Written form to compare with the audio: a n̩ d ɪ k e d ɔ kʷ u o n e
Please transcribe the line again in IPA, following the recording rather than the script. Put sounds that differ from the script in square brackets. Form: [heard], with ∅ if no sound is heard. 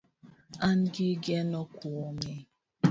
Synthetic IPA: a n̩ [ɡ] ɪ [ɡ] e [n] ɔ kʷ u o [m] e